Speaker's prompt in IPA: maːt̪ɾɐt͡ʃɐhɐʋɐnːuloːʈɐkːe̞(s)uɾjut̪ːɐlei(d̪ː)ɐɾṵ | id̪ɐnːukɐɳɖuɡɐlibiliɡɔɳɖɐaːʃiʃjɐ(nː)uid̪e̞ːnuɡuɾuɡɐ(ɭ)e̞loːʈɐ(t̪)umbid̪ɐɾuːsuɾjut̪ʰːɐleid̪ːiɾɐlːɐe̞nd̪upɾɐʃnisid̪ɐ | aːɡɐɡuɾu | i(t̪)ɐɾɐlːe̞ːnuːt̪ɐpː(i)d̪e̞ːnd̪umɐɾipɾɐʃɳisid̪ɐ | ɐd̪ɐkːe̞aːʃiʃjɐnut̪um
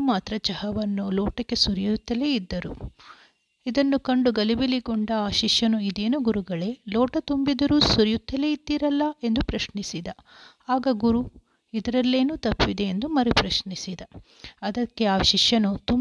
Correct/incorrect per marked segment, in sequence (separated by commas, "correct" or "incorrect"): correct, correct, incorrect, correct, correct, incorrect, correct